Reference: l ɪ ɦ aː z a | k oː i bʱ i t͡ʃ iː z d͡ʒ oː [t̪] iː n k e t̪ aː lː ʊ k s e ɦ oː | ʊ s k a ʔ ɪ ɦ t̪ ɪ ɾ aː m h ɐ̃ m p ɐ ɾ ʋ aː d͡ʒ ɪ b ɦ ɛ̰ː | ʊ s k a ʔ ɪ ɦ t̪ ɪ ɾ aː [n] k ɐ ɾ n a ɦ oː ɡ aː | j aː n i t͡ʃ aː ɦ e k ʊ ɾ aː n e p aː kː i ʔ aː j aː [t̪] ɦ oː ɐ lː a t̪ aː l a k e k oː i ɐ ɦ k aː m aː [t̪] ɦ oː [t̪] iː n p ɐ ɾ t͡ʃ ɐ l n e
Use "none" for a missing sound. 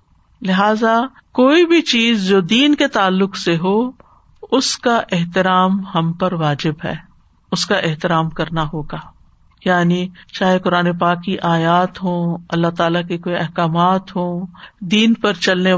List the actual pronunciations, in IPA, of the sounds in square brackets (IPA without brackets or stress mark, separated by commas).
d̪, m, t̪, t̪, d̪